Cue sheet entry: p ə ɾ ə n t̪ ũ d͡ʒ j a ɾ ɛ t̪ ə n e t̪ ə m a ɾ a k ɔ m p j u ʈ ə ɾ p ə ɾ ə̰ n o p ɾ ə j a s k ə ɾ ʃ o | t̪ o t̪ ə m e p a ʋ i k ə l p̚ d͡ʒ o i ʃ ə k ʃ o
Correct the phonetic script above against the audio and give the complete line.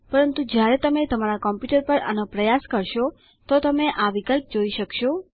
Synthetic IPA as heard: p ə ɾ ə n t̪ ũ d͡ʒ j a ɾ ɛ t̪ ə m e t̪ ə m a ɾ a k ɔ m p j u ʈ ə ɾ p ə ɾ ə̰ n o p ɾ ə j a s k ə ɾ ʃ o | t̪ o t̪ ə m e ʔ a ʋ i k ə l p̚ d͡ʒ o i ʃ ə k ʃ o